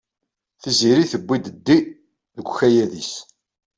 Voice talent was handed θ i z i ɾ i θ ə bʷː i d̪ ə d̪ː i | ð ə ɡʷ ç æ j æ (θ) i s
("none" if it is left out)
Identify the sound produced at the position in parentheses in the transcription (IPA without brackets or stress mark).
ð